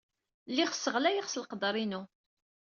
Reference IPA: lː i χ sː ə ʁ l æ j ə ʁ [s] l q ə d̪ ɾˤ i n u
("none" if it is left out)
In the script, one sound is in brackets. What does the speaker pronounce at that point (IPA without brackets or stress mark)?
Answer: s